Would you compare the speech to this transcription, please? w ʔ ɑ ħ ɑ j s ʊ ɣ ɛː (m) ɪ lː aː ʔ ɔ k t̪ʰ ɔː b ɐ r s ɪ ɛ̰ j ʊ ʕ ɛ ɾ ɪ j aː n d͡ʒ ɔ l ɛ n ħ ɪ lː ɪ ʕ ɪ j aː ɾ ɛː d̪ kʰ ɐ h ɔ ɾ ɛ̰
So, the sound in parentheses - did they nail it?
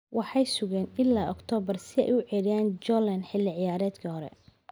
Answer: no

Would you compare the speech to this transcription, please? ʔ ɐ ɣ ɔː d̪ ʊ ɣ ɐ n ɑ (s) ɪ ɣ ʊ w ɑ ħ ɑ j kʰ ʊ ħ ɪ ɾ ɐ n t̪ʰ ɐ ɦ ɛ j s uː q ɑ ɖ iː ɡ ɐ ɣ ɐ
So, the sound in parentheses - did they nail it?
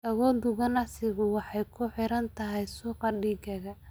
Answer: yes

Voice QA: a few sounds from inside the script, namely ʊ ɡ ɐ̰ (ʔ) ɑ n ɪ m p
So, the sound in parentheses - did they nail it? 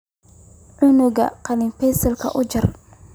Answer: no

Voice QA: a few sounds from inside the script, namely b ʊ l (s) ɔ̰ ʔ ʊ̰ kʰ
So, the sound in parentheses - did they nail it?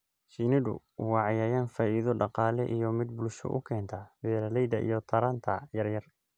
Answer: no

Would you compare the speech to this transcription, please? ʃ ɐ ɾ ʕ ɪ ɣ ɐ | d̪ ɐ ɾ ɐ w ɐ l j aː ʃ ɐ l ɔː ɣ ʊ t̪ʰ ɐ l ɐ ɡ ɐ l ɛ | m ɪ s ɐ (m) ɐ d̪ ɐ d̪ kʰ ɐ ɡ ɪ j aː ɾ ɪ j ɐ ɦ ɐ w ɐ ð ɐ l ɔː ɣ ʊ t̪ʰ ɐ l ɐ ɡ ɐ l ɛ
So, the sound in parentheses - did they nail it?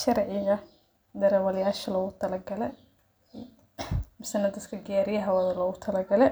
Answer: no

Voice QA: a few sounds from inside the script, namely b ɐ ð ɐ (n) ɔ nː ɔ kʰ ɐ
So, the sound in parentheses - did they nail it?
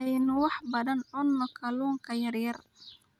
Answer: yes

